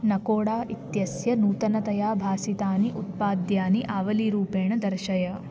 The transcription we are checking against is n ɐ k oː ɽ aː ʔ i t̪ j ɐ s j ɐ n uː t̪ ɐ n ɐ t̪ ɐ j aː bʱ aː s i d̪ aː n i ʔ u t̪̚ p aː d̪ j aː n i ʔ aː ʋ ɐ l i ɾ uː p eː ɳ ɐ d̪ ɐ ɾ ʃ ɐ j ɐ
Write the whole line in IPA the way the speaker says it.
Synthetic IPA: n ɐ k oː ɽ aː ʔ i t̪ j ɐ s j ɐ n uː t̪ ɐ n ɐ t̪ ɐ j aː bʱ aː s i t̪ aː n i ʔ u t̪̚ p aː d̪ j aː n i ʔ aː ʋ ɐ l i ɾ uː p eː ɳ ɐ d̪ ɐ ɾ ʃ ɐ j ɐ